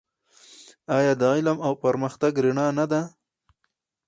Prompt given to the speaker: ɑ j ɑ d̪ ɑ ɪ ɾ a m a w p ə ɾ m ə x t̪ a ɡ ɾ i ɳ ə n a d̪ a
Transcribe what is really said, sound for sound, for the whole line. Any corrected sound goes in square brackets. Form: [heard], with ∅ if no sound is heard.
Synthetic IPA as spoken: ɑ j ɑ d̪ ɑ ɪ [l] a m a w p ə ɾ m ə x t̪ a ɡ ɾ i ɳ [ɑ] n a d̪ a